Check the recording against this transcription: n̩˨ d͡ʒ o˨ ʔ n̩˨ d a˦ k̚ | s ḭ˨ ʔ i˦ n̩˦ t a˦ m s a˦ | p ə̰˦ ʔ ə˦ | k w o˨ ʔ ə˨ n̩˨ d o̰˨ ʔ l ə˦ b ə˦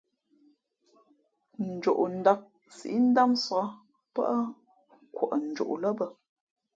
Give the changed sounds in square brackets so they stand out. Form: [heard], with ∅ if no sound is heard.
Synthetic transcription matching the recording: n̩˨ d͡ʒ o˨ ʔ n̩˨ d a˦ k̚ | s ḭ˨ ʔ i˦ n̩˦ [d] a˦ m s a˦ | p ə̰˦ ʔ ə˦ | k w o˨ ʔ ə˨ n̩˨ [d͡ʒ] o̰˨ ʔ l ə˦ b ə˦